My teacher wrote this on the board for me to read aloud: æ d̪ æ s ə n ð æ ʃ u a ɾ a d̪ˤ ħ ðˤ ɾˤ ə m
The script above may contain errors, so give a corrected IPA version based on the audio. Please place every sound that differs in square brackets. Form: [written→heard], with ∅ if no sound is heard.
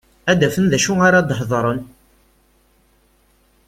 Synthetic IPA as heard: æ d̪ æ [s→f] ə n ð æ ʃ u a ɾ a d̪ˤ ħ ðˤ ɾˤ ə [m→n]